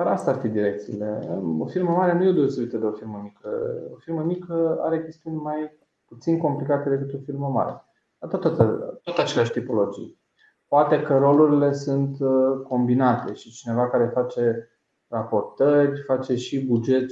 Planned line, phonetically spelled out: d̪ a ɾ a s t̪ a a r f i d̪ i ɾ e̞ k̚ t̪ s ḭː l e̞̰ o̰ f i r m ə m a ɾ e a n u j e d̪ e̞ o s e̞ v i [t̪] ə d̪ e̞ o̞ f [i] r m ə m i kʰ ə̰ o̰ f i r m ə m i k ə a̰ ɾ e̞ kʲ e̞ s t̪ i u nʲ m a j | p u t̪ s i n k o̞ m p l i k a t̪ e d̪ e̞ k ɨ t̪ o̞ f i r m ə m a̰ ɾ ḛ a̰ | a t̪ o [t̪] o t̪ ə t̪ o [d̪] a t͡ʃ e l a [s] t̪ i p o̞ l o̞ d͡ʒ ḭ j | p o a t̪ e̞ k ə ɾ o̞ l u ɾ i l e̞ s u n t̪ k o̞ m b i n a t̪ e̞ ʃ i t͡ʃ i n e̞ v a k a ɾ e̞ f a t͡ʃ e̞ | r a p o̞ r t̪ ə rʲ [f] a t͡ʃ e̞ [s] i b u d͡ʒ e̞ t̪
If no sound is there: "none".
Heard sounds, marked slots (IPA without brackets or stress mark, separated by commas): t̪, i, t̪, t̪, ʃ, f, ʃ